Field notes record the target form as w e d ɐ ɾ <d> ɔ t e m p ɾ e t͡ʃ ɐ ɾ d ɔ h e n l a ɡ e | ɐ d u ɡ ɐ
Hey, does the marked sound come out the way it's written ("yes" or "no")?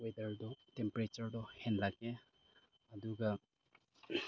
yes